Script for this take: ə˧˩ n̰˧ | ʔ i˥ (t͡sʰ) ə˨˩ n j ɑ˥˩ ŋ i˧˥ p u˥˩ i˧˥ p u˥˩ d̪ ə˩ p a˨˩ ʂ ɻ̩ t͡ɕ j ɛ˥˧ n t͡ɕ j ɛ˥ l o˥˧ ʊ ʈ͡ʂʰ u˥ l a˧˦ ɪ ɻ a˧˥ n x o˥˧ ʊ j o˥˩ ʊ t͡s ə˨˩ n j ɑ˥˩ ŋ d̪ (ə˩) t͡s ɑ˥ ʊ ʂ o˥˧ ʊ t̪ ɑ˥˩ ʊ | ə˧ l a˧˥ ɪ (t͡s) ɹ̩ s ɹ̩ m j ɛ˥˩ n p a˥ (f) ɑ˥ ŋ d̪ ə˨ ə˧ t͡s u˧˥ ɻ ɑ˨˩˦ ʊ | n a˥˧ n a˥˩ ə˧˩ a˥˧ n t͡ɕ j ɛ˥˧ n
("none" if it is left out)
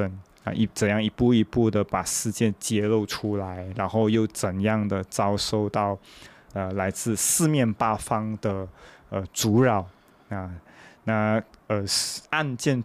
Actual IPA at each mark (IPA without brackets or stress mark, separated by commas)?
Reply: t͡s, ə˩, t͡s, f